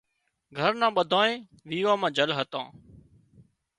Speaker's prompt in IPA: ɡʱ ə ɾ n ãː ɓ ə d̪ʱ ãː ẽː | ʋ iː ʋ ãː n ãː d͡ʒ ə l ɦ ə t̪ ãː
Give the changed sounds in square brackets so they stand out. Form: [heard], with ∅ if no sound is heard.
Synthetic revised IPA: ɡʱ ə ɾ n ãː ɓ ə d̪ʱ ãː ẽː | ʋ iː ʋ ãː [m] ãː d͡ʒ ə l ɦ ə t̪ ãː